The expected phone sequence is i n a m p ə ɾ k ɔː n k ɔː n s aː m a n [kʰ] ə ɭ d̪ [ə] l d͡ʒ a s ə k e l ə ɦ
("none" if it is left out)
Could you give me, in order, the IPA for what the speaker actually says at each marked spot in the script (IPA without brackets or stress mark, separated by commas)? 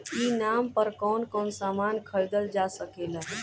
kʰ, ə